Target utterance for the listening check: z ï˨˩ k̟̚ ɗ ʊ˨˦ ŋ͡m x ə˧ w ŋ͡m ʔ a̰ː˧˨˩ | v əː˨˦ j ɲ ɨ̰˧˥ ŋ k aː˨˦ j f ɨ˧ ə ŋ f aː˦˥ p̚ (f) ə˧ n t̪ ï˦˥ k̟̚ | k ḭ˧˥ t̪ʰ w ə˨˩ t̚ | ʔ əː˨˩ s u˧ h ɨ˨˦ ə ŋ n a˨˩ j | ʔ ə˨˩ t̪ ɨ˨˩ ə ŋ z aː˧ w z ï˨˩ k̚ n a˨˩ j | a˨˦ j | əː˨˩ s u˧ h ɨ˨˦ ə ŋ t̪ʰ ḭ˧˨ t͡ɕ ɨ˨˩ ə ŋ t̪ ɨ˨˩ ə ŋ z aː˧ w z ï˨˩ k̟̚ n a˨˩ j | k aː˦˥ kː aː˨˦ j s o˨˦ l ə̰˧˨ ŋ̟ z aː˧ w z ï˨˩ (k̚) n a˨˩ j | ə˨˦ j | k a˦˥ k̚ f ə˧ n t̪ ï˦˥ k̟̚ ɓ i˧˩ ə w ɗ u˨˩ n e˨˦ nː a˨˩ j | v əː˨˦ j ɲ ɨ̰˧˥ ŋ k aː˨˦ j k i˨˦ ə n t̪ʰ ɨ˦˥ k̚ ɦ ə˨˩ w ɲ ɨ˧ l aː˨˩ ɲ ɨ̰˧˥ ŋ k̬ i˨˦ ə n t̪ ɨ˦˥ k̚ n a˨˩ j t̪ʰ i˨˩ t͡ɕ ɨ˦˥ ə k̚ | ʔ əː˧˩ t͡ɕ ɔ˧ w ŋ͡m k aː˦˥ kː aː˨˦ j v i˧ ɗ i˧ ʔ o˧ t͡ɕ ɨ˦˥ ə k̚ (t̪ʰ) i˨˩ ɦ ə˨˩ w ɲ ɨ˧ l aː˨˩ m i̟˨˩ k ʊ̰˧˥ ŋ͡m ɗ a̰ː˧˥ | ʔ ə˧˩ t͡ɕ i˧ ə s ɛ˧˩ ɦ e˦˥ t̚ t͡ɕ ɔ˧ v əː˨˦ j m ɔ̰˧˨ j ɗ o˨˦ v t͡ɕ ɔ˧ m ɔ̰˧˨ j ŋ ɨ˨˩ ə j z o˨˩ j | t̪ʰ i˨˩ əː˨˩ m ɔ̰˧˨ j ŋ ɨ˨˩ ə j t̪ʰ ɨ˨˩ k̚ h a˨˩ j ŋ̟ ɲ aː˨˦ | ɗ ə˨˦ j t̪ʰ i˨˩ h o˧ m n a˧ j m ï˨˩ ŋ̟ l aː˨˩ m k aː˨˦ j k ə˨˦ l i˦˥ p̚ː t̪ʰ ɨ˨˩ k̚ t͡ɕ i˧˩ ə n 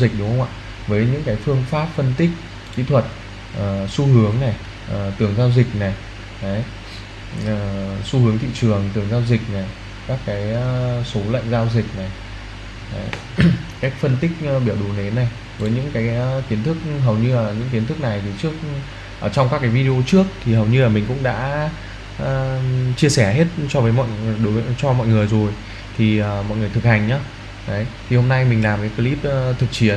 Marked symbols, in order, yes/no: yes, yes, yes

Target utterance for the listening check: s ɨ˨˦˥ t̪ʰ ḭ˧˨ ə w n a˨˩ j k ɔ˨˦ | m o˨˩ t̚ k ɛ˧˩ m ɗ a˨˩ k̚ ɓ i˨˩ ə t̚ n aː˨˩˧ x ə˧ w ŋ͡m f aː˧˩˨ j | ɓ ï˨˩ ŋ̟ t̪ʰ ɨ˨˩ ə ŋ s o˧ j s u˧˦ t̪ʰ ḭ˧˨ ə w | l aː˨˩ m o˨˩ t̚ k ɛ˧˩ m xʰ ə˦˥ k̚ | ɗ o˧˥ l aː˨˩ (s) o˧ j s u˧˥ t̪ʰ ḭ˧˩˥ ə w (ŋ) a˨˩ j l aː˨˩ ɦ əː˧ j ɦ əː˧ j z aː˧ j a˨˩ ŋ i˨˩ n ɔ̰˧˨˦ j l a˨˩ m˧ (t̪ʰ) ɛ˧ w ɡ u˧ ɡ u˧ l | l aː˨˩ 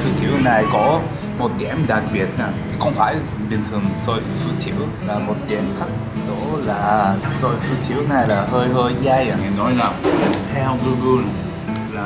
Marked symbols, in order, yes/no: yes, no, yes

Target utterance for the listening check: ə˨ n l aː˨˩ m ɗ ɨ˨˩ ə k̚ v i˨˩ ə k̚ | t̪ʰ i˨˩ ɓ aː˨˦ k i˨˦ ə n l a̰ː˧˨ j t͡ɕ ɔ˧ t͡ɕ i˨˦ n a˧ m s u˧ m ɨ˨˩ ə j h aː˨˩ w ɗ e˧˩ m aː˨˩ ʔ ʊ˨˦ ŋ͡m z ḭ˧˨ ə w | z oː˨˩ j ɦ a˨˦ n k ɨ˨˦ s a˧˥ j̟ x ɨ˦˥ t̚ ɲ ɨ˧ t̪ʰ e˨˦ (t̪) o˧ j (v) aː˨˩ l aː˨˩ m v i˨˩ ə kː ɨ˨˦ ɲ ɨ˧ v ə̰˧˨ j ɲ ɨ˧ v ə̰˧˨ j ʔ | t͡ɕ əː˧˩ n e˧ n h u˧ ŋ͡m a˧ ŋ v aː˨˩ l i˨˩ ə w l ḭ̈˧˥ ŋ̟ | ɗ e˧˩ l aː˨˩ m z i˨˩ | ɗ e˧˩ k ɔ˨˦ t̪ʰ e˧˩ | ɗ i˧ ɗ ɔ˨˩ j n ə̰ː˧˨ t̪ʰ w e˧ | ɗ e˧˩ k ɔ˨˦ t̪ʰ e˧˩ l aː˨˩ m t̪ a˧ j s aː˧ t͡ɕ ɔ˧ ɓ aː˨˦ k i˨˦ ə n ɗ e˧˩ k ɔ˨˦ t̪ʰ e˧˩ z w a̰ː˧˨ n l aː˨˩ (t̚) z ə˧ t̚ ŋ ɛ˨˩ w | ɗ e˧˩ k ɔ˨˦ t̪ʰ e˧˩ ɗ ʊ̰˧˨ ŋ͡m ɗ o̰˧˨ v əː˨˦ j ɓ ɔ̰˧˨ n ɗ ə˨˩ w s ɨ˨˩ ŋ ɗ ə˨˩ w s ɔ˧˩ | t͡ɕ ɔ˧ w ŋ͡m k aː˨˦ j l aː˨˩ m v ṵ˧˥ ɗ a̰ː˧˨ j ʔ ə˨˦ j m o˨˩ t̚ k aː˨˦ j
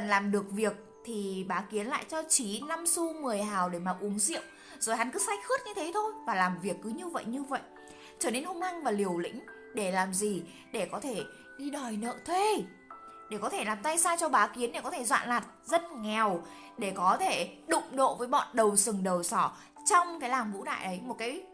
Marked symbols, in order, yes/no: no, yes, yes

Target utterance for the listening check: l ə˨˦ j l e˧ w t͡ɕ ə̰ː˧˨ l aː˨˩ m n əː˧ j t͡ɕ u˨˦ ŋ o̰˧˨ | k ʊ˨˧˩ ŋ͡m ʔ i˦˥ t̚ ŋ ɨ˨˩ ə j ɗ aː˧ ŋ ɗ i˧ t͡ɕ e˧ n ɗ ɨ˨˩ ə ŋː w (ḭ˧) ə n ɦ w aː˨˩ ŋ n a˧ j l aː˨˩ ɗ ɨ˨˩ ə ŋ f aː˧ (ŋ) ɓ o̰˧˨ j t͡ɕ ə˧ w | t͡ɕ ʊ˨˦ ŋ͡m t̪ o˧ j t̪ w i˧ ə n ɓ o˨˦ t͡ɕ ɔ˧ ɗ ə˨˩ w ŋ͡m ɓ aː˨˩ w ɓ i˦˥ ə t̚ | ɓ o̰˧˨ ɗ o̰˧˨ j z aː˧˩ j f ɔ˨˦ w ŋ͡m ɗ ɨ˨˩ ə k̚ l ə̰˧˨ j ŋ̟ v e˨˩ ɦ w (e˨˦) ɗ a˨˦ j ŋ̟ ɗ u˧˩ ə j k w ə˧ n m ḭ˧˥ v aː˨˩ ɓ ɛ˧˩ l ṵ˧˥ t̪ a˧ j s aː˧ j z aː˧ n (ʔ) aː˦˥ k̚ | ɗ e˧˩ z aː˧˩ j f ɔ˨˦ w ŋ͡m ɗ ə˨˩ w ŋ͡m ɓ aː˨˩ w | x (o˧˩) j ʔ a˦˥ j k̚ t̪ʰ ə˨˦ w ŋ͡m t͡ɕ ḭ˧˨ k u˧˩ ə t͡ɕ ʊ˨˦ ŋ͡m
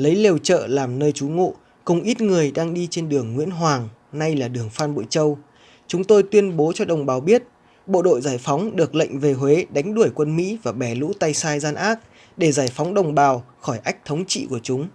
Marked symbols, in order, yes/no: no, no, yes, yes, no

